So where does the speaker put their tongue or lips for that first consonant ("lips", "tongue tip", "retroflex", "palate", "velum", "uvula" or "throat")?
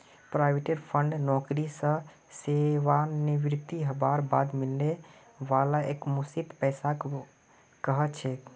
lips